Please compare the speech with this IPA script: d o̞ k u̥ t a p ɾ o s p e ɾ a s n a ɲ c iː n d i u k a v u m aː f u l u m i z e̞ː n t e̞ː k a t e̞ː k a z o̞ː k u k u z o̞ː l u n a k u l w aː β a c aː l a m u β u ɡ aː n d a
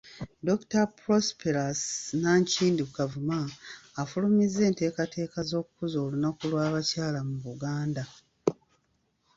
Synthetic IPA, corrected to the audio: d o̞ k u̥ t a p ɾ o s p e ɾ a s n a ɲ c iː n d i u k a v u m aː f u l u m i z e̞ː n t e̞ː k a t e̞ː k a z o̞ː k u k u z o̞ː l u n a k u l w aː β a c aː l a m u β u ɡ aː n d a